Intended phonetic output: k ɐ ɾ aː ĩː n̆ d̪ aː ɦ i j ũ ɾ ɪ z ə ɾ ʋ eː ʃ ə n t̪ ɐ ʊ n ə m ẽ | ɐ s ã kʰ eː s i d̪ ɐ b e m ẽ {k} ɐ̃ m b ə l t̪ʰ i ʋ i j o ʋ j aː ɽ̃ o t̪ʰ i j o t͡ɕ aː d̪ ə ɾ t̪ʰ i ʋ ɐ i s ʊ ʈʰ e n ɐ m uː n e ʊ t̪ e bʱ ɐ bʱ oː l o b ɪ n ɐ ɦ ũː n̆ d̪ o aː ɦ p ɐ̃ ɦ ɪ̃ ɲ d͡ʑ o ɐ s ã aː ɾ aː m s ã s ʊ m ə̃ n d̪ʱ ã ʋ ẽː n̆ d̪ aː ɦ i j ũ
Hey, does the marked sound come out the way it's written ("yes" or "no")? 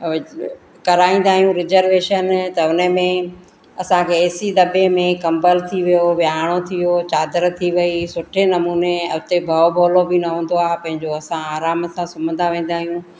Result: yes